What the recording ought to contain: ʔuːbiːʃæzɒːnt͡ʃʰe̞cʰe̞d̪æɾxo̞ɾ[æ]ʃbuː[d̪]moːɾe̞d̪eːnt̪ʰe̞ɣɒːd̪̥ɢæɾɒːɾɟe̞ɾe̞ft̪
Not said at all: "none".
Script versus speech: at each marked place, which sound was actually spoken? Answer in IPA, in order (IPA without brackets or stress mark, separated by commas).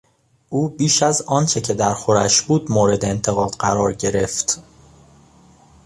æ, d̪